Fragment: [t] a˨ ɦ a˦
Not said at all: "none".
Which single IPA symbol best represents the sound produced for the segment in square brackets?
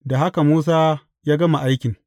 d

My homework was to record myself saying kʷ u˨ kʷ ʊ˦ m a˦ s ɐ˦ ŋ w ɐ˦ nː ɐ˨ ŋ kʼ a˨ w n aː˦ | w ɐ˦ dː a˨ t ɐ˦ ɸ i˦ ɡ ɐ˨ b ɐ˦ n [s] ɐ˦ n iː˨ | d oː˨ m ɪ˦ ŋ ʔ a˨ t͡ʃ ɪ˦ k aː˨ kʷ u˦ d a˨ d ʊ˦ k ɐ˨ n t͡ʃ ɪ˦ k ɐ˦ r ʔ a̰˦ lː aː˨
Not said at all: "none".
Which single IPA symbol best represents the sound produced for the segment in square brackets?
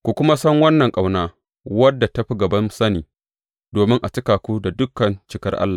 s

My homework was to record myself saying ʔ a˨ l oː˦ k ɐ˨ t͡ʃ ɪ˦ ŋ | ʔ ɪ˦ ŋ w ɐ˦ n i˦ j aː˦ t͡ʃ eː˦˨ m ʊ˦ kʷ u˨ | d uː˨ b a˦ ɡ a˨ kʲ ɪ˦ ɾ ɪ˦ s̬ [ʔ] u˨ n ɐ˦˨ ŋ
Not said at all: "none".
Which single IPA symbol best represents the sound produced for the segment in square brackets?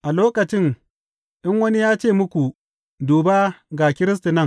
t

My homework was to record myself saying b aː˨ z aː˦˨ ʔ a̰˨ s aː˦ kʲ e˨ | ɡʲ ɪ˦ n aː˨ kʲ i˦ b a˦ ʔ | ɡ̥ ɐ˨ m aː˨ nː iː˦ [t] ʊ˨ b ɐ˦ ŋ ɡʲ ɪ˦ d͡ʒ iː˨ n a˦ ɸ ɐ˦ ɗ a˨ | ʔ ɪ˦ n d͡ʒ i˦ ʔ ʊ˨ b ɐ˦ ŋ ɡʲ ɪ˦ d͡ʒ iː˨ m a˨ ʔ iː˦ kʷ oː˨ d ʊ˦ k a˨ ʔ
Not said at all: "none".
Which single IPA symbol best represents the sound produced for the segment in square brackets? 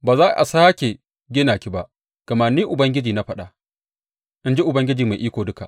ʔ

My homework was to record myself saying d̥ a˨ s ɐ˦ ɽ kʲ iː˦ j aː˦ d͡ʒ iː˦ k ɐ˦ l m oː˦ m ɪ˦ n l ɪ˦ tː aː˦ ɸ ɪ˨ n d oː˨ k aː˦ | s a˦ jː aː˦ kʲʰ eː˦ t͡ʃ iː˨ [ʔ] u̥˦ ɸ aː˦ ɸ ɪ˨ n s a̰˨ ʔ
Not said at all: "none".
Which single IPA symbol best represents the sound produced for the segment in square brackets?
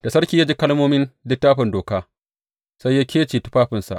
t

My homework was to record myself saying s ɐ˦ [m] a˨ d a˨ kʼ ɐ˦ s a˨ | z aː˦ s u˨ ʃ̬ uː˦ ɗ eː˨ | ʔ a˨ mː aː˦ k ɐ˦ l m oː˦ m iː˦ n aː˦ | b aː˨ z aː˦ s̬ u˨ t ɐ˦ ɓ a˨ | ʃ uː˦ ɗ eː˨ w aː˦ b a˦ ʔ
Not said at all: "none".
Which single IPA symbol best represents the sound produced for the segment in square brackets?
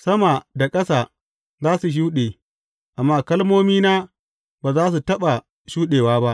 m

